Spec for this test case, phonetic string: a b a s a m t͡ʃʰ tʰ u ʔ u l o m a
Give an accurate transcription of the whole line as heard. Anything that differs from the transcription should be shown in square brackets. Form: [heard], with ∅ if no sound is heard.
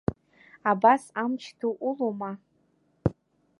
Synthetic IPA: a b a s a m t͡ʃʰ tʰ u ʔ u l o m a